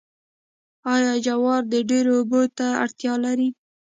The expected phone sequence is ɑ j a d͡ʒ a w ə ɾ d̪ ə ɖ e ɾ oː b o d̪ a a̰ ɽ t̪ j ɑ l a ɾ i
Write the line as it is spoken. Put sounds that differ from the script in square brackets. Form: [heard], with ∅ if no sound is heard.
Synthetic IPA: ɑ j [ɑ] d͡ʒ a w [ɑ] ɾ d̪ ə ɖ e ɾ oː b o [t̪] a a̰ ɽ t̪ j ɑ l a ɾ i